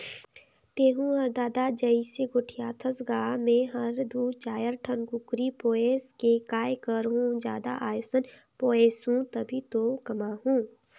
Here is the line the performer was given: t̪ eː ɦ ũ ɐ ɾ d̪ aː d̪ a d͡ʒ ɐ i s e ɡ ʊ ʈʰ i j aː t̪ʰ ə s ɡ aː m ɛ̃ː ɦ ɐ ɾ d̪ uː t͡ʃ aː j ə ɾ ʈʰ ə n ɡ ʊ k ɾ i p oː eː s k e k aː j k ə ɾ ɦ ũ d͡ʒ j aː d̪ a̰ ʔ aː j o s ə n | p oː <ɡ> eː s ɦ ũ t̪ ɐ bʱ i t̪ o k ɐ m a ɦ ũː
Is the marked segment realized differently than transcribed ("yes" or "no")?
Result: yes